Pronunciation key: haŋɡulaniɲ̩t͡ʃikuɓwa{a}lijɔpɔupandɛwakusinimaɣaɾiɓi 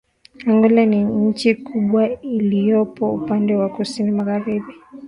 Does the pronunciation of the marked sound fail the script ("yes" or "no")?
yes